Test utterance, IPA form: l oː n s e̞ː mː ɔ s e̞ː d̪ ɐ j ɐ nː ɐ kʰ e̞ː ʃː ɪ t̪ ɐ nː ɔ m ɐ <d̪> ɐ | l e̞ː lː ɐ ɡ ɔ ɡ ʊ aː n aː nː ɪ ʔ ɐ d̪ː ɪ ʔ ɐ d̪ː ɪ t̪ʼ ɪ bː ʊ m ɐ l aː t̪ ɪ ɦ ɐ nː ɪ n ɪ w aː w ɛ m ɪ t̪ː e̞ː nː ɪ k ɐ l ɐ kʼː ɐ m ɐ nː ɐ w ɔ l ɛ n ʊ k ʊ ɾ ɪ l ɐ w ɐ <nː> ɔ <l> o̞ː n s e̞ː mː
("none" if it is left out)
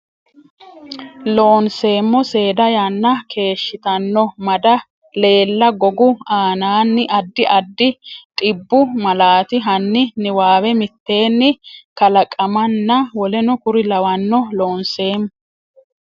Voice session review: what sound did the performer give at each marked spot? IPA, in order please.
d̪, nː, l

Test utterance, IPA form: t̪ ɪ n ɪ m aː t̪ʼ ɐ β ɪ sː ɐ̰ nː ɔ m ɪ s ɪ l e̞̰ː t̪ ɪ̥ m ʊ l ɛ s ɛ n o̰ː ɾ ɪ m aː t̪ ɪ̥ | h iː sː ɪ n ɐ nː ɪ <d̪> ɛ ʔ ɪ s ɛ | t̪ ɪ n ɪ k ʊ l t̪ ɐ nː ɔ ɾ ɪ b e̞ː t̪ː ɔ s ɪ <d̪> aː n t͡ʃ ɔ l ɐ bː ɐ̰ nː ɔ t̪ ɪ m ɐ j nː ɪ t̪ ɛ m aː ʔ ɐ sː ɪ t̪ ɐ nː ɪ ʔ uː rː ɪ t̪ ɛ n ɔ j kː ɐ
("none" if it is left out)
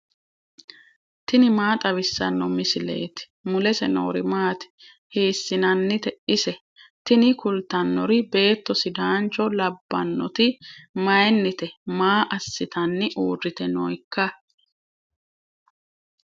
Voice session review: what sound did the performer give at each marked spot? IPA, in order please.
t̪, d̪

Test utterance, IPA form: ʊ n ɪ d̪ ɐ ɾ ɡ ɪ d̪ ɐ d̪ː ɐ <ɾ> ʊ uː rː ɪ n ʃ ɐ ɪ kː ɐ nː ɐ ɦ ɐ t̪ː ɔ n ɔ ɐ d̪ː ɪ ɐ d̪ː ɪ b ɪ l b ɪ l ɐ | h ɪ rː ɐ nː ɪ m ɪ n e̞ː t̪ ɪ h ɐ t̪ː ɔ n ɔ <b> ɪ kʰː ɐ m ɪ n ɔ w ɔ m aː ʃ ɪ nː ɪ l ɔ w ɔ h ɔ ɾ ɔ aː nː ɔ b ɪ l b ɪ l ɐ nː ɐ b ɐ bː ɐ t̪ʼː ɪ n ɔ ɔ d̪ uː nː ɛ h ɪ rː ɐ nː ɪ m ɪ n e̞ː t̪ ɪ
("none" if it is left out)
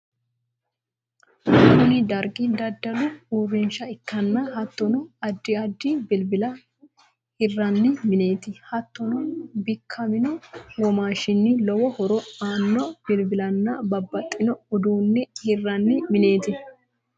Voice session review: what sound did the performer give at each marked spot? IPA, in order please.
l, b

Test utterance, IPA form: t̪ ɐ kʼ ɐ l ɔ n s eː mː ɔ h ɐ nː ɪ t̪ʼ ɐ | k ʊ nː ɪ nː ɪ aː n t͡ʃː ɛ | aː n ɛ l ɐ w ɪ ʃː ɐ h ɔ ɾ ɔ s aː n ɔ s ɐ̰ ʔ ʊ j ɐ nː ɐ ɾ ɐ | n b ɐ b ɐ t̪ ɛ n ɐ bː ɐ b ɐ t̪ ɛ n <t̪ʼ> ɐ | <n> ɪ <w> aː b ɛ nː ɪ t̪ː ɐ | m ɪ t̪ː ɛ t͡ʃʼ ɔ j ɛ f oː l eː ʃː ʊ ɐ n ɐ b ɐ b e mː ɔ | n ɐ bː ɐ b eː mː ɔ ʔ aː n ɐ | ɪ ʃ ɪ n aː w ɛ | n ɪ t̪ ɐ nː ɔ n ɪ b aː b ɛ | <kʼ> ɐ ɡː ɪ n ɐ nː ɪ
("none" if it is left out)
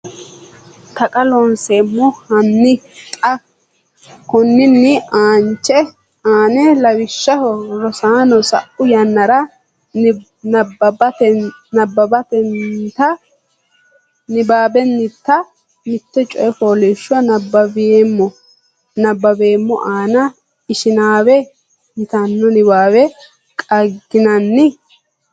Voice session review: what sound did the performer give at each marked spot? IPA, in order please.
t̪, n, b, kʼ

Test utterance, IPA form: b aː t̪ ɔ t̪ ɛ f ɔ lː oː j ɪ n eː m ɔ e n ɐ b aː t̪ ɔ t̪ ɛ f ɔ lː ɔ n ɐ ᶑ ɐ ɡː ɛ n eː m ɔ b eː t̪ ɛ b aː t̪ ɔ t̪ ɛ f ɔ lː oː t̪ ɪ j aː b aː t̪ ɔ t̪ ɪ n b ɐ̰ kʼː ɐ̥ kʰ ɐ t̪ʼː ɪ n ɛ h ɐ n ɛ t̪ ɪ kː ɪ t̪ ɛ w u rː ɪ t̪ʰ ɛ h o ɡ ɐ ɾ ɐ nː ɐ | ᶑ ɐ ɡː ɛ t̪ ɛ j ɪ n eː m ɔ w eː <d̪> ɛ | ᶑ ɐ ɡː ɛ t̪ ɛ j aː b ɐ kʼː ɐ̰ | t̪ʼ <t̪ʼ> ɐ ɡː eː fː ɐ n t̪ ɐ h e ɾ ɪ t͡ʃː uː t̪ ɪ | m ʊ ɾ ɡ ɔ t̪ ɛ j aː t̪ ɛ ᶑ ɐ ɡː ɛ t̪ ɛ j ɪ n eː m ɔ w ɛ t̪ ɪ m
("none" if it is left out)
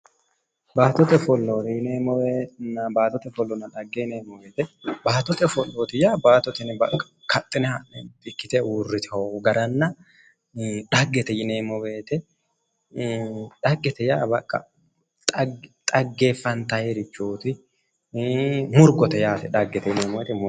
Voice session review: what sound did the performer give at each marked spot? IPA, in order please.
t̪, t̪ʼ

